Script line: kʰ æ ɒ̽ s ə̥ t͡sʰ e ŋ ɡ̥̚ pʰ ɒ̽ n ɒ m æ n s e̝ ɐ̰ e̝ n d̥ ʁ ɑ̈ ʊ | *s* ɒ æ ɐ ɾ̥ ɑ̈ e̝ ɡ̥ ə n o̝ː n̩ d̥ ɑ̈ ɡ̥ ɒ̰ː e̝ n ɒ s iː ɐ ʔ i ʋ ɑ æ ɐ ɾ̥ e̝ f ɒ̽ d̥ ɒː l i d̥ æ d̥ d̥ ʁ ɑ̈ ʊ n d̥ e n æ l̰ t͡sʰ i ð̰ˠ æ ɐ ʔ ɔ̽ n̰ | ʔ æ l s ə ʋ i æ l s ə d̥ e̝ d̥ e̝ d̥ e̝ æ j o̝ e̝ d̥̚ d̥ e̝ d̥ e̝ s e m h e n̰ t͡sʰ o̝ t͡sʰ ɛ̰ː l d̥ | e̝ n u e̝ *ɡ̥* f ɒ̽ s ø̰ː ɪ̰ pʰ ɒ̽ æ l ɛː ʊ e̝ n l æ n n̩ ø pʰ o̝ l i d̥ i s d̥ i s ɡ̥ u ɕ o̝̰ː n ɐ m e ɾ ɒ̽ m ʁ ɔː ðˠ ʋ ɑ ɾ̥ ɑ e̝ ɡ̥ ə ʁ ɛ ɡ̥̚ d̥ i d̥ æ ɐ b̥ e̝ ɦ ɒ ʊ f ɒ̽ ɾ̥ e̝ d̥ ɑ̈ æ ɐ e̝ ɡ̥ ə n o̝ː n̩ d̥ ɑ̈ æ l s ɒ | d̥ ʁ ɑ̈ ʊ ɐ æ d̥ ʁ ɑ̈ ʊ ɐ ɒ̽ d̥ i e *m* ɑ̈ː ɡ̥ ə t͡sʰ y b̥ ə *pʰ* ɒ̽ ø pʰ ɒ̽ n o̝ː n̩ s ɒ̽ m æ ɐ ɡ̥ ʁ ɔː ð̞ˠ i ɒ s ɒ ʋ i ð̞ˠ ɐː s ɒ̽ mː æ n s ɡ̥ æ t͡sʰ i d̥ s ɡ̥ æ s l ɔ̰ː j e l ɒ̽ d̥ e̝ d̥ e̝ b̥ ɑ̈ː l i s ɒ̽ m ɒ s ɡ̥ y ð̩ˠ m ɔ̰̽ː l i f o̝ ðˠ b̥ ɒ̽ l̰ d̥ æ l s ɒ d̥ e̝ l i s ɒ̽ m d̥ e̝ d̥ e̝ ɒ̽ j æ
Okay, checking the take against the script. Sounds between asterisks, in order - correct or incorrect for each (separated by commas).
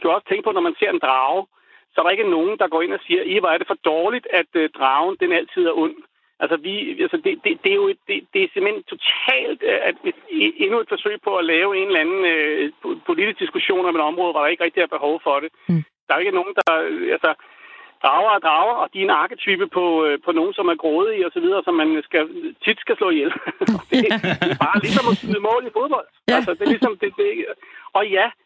correct, incorrect, incorrect, correct